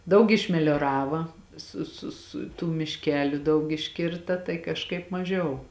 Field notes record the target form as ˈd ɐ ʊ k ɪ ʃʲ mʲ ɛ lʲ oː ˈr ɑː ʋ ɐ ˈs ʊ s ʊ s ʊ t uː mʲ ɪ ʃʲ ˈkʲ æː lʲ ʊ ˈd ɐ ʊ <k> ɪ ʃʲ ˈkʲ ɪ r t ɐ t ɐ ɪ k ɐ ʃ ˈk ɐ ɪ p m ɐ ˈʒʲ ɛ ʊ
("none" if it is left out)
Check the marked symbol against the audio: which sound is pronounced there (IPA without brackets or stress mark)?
k